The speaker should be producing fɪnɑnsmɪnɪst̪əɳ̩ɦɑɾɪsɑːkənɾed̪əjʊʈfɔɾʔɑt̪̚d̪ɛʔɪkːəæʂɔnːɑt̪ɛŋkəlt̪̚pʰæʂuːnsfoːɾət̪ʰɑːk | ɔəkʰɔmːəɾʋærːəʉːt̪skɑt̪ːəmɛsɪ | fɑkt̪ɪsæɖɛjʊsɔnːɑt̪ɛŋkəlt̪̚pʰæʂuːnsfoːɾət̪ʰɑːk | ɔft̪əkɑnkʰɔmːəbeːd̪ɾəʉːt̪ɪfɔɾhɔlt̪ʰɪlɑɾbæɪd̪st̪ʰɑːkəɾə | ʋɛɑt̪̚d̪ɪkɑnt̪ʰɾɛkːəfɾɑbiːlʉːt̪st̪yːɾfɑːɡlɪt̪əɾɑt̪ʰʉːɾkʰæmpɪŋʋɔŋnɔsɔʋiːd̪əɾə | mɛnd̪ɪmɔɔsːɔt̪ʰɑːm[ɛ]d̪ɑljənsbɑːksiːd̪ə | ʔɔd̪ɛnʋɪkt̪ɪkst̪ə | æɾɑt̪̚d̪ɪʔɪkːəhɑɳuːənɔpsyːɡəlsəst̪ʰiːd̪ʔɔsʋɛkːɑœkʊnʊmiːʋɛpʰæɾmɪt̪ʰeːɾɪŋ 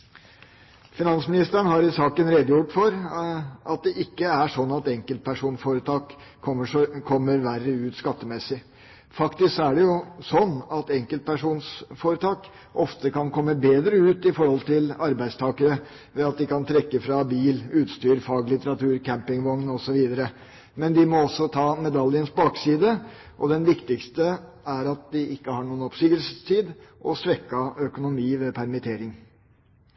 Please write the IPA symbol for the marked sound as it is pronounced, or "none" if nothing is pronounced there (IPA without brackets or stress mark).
ɛ